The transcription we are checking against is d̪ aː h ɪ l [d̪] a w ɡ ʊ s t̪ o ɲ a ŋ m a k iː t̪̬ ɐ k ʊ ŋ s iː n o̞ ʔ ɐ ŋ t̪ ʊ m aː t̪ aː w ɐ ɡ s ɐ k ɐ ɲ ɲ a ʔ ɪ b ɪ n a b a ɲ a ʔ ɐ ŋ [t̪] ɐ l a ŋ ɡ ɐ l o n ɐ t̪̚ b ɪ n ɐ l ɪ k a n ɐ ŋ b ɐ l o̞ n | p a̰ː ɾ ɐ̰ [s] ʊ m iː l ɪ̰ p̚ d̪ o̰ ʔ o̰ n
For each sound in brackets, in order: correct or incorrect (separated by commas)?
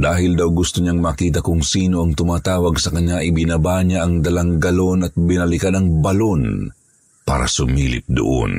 correct, incorrect, correct